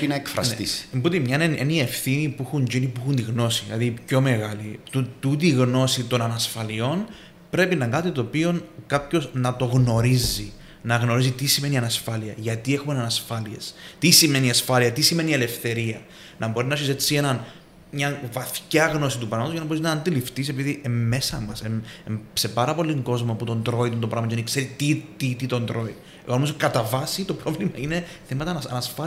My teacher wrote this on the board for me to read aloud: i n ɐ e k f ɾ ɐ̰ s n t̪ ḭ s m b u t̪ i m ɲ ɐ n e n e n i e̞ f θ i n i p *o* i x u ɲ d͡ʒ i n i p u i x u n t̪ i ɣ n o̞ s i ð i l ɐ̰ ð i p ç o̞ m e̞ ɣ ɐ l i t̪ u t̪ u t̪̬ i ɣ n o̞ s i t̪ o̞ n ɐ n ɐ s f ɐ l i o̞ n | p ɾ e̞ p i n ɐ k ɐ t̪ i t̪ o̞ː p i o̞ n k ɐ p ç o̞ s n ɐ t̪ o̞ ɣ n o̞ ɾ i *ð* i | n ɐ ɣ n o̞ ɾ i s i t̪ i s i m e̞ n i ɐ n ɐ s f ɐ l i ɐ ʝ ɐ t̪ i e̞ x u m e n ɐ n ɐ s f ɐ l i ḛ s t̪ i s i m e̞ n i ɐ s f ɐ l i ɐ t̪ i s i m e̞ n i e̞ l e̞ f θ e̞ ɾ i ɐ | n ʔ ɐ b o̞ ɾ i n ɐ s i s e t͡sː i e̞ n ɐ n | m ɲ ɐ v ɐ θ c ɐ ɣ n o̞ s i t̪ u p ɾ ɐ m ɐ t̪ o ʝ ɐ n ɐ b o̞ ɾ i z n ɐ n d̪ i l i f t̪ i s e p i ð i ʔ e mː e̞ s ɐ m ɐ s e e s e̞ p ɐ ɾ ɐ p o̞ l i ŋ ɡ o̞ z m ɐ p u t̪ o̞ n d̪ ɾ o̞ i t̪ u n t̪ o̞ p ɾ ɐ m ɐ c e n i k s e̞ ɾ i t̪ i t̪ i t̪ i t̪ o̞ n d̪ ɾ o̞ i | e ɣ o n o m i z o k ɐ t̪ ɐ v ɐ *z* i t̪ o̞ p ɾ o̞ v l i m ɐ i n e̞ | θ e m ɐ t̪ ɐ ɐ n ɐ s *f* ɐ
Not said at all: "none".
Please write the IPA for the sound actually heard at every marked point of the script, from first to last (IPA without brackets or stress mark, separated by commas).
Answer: u, z, s, f